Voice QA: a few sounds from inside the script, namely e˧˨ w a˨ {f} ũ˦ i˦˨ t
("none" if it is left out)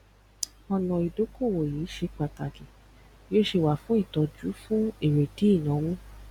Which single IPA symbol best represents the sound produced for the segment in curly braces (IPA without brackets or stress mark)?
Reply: f